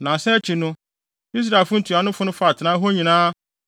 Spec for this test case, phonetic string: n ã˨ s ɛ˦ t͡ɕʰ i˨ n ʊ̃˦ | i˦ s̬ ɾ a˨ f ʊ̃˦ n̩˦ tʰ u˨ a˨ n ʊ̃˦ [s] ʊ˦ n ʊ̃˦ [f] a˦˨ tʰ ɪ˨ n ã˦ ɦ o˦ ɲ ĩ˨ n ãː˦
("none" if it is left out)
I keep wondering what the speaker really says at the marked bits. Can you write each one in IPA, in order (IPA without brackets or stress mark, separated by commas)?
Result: f, f